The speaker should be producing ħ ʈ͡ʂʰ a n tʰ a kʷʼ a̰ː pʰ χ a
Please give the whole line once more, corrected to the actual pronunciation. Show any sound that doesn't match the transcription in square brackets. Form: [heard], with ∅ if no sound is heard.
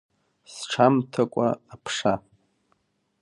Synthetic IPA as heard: [s] ʈ͡ʂʰ a [m] tʰ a kʷʼ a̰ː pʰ [ʂ] a